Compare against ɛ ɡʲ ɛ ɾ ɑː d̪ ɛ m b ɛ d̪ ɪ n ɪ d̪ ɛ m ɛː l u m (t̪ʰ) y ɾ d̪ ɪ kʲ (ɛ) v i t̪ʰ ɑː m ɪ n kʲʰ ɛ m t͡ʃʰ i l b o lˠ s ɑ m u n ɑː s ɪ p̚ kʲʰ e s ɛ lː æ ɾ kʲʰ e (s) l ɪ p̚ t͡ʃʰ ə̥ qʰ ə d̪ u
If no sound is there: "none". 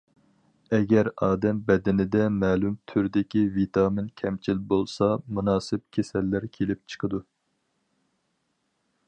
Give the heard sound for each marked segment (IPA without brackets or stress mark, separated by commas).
t̪ʰ, i, none